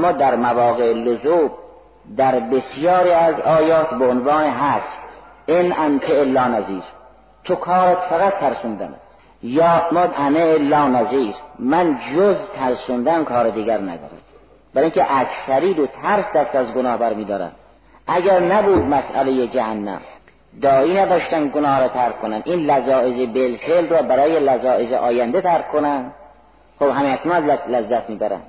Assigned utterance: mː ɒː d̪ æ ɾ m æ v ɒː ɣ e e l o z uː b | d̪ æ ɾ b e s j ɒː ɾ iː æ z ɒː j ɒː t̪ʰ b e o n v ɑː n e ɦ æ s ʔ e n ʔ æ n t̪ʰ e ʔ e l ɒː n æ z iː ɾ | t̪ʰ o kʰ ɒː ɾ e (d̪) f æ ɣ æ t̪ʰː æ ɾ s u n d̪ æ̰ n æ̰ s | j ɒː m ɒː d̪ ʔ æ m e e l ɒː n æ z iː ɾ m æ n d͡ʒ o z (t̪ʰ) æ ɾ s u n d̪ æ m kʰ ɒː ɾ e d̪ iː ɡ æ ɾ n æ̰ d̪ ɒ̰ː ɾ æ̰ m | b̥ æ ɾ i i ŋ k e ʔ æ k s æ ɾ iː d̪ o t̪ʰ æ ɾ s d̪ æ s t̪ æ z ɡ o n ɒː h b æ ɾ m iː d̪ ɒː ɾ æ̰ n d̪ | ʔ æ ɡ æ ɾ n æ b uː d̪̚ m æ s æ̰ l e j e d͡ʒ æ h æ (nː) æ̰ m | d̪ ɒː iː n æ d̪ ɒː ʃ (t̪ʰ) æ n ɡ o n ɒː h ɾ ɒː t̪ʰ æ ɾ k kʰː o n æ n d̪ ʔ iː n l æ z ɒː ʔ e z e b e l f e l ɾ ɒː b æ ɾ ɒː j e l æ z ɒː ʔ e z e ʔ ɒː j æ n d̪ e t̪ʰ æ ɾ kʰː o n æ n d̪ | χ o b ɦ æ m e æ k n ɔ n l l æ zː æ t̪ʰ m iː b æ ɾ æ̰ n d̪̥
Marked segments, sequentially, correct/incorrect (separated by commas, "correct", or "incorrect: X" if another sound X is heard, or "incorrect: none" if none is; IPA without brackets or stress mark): incorrect: t̪, correct, correct, incorrect: t̪